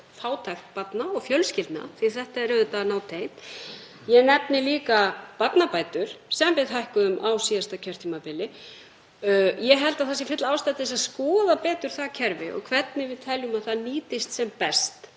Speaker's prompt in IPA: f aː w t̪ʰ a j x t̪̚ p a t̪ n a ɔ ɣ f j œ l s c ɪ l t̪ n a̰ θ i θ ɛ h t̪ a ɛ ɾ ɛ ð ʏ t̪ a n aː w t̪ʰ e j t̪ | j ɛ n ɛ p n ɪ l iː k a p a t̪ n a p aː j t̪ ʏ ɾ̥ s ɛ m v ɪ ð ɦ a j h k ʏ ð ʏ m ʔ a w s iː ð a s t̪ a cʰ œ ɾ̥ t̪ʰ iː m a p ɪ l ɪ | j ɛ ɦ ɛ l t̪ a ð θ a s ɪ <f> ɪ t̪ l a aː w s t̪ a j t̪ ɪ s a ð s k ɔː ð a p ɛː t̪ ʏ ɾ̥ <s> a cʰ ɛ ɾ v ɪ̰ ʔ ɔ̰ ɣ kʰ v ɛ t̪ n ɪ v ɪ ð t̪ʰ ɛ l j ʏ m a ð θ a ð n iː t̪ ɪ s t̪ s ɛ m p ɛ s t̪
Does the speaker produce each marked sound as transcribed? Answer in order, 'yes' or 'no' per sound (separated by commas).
yes, no